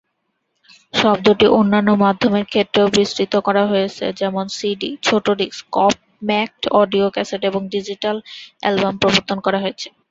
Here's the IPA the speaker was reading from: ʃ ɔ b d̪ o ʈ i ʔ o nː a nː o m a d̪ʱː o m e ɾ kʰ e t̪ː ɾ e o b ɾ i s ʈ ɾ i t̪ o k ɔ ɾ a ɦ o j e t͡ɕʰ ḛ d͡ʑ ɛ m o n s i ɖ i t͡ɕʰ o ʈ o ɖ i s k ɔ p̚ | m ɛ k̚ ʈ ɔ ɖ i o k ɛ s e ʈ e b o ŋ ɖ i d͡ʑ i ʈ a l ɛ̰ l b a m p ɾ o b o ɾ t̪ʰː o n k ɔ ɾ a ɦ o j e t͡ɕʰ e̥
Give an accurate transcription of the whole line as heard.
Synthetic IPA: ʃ ɔ b d̪ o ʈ i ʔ o nː a nː o m a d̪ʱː o m e ɾ kʰ e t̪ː ɾ e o b ɾ i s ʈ ɾ i t̪ o k ɔ ɾ a ɦ o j e t͡ɕʰ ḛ d͡ʑ ɛ m o n s i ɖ i t͡ɕʰ o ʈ o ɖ i s k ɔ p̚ | m ɛ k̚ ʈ ɔ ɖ i o k ɛ s e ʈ e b o ŋ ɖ i d͡ʑ i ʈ a l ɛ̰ l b a m p ɾ o b o ɾ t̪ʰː o n k ɔ ɾ a ɦ o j e t͡ɕʰ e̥